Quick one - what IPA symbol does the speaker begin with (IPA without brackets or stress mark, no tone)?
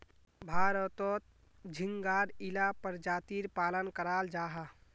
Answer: bʱ